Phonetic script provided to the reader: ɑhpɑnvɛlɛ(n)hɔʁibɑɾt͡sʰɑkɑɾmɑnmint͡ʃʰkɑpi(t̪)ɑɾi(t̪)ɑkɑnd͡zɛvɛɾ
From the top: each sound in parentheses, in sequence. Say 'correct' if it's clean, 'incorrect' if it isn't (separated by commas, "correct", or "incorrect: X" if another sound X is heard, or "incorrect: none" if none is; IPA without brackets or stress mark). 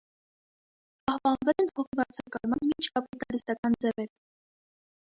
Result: correct, correct, correct